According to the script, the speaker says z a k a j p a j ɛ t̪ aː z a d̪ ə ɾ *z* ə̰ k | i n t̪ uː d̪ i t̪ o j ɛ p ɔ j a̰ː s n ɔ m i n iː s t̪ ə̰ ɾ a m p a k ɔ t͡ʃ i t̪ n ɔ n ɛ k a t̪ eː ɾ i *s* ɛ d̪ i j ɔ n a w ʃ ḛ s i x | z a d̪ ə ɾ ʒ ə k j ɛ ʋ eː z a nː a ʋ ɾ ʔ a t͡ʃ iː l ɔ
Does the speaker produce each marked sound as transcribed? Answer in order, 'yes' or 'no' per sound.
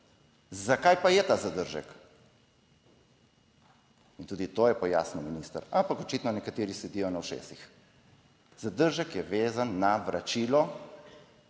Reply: no, yes

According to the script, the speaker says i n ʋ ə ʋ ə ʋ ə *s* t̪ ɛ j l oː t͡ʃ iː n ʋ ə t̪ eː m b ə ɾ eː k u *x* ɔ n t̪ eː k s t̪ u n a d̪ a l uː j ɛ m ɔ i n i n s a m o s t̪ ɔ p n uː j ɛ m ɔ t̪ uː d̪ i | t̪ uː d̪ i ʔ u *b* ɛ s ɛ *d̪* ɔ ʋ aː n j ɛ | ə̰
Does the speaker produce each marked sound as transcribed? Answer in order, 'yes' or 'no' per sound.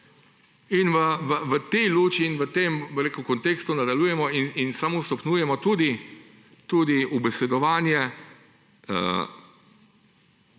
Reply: no, no, yes, yes

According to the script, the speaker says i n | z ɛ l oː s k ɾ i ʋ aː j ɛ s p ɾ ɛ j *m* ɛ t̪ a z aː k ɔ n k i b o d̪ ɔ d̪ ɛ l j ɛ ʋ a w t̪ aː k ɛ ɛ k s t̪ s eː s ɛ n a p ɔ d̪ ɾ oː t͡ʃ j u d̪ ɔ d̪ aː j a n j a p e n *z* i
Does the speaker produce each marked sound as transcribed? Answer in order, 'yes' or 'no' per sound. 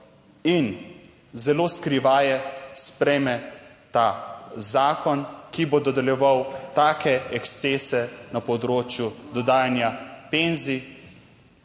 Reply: yes, yes

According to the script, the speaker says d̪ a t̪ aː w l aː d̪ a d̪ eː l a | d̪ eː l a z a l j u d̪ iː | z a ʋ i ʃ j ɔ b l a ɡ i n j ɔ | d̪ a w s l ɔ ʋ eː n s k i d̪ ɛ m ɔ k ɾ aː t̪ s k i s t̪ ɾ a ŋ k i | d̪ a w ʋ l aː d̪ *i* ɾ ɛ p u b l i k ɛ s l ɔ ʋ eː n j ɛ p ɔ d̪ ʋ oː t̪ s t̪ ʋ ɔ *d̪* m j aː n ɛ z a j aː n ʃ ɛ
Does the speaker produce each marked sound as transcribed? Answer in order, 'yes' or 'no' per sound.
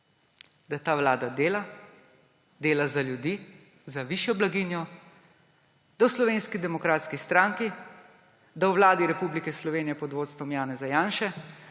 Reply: yes, no

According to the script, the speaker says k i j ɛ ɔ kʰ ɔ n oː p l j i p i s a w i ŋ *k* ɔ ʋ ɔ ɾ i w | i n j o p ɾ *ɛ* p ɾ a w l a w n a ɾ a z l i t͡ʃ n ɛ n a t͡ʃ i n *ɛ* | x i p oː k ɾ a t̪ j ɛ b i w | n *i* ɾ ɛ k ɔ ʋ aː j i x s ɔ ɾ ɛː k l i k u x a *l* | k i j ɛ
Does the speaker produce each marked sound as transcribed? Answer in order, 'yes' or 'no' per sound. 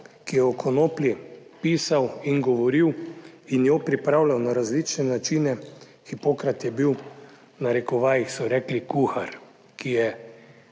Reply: no, no, yes, no, no

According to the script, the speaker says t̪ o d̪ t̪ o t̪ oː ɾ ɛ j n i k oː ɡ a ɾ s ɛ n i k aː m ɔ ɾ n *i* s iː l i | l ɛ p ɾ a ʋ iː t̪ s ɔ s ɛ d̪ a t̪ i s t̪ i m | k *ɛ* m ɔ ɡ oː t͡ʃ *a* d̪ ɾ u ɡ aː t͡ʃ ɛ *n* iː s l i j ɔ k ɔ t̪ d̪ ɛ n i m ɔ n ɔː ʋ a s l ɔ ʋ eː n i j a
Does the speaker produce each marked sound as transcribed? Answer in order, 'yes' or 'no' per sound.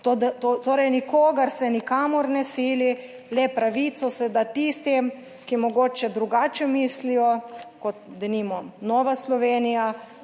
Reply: no, no, no, no

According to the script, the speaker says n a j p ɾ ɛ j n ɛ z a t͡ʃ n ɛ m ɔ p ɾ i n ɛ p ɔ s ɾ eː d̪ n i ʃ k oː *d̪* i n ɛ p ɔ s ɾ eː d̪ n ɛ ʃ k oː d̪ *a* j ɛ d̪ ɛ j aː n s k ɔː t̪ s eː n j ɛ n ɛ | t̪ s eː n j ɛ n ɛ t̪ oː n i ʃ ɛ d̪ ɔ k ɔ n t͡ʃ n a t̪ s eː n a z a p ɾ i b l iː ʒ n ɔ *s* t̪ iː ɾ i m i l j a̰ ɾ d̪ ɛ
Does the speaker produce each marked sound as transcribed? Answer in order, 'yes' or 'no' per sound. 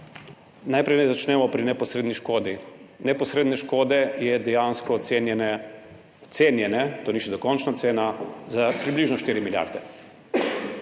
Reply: yes, no, no

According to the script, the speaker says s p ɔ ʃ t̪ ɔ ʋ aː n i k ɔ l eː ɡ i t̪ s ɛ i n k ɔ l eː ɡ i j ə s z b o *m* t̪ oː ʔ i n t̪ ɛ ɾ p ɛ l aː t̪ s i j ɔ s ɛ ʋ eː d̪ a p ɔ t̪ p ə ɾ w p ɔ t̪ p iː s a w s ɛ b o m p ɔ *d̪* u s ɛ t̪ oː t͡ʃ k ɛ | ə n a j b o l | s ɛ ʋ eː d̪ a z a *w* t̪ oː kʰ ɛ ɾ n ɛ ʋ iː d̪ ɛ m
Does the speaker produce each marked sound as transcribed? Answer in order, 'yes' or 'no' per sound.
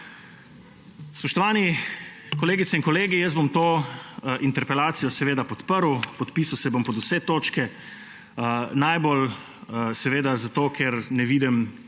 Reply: yes, yes, no

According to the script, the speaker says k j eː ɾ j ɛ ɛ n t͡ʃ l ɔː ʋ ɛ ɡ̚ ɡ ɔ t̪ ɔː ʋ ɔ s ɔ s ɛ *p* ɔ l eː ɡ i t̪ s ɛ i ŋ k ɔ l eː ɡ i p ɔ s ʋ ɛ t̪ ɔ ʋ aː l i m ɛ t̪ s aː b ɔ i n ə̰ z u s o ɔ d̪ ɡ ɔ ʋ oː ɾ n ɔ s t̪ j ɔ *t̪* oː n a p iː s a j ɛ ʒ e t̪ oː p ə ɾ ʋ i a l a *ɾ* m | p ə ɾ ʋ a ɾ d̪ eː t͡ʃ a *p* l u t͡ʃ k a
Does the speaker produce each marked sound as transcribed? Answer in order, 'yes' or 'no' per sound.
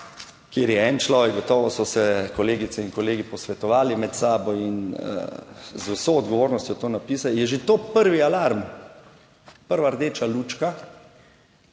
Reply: no, yes, yes, no

